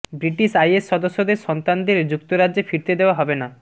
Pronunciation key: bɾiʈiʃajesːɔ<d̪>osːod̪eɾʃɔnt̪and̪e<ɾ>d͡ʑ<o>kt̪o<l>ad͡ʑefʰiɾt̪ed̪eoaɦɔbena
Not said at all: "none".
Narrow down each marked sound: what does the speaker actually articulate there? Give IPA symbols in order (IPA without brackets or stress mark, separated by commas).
d̪, ɾ, u, ɾ